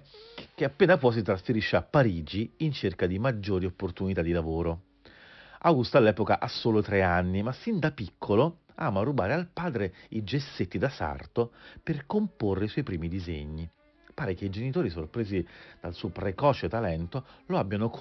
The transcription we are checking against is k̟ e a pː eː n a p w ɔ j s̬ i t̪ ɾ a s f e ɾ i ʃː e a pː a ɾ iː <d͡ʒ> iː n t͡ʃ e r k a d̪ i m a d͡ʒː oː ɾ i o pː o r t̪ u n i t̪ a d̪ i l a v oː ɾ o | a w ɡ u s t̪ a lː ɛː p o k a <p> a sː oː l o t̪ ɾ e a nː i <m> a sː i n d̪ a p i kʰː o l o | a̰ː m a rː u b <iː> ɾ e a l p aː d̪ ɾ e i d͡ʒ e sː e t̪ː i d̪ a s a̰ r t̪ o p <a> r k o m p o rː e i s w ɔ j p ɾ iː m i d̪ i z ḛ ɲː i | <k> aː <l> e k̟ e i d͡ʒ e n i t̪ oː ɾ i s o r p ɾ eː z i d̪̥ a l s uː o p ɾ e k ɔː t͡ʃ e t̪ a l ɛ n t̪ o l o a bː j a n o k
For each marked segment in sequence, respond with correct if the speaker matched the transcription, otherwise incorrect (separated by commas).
correct, incorrect, correct, incorrect, incorrect, incorrect, incorrect